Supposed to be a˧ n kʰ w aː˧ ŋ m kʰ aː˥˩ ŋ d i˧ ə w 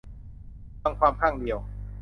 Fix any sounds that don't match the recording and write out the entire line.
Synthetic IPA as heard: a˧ ŋ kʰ w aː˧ m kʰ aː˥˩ ŋ d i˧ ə w